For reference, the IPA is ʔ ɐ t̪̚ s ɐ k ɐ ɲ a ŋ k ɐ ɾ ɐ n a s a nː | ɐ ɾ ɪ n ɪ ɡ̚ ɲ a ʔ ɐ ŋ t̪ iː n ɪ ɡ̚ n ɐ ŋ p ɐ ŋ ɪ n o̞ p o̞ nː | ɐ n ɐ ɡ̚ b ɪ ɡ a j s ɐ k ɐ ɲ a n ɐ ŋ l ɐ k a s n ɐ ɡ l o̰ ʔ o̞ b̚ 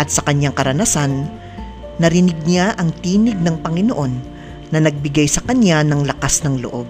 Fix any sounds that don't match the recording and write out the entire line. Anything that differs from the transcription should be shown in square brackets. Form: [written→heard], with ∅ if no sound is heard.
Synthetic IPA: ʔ ɐ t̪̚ s ɐ k ɐ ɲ a ŋ k ɐ ɾ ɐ n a s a nː | ɐ ɾ ɪ n ɪ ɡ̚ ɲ a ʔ ɐ ŋ t̪ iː n ɪ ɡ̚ n ɐ ŋ p ɐ ŋ ɪ n o̞ [p→ʔ] o̞ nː | ɐ n ɐ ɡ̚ b ɪ ɡ a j s ɐ k ɐ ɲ a n ɐ ŋ l ɐ k a s n ɐ [ɡ→ŋ] l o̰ ʔ o̞ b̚